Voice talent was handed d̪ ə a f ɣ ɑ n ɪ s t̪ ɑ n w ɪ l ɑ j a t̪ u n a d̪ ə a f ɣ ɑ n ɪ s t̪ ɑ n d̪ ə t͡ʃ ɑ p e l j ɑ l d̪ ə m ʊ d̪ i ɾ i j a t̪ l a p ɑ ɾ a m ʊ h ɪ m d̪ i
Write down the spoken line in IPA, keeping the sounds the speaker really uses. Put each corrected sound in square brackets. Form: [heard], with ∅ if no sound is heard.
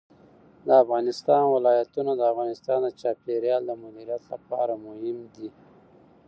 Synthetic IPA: d̪ ə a f ɣ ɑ n ɪ s t̪ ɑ n w ɪ l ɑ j a t̪ u n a d̪ ə a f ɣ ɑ n ɪ s t̪ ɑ n d̪ ə t͡ʃ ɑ p e [ɾ] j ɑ l d̪ ə m ʊ d̪ i ɾ i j a t̪ l a p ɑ ɾ a m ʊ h ɪ m d̪ i